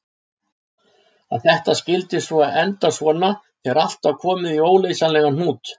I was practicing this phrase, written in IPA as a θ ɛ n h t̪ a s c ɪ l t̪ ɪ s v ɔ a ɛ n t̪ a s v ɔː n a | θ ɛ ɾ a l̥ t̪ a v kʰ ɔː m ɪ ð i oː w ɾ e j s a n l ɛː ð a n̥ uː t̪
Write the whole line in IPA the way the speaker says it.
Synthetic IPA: a θ ɛ h t̪ a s c ɪ l t̪ ɪ s v ɔ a ɛ n t̪ a s v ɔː n a | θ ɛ ɾ a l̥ t̪ a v kʰ ɔː m ɪ ð i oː w l e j s a n l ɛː ɣ a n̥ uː t̪